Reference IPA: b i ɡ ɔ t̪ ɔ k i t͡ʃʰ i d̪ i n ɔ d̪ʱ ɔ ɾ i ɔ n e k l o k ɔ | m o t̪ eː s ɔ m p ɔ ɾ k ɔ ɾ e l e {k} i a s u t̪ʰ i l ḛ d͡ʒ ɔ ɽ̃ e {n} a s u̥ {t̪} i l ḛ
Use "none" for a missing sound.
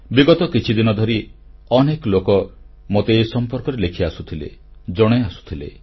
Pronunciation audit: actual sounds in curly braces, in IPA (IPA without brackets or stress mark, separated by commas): kʰ, none, t̪ʰ